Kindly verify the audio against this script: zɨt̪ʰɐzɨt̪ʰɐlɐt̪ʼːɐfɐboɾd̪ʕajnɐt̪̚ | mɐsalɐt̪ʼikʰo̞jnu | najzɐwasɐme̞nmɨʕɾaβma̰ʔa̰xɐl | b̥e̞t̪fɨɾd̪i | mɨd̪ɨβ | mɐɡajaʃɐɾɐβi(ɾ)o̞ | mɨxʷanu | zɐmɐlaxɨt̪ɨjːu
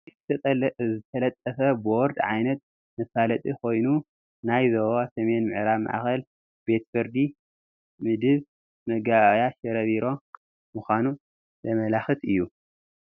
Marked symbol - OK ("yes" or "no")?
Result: yes